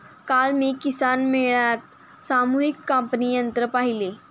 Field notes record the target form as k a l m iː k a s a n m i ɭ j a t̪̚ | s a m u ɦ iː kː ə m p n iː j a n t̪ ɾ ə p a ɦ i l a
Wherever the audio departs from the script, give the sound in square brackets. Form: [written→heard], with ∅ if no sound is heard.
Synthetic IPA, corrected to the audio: k a l m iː k [a→i] s a n m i ɭ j a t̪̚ | s a m u ɦ [iː→i] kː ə m p n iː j [a→ə] n t̪ ɾ ə p a ɦ i l [a→e]